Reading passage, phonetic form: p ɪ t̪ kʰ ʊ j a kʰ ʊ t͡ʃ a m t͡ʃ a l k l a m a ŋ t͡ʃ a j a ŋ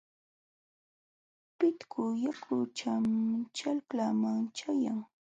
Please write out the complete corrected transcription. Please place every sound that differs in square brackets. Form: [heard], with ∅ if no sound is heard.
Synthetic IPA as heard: p ɪ t̪ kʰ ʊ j a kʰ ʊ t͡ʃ a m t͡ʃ a l k l a m a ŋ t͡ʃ a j a ŋ